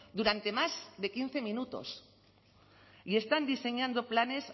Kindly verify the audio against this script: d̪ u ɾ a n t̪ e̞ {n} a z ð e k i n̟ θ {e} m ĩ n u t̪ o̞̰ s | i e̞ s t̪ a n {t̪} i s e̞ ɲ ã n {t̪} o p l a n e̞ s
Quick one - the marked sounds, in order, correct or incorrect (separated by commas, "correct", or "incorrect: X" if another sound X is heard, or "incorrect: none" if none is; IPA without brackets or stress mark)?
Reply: incorrect: m, correct, incorrect: d̪, incorrect: d̪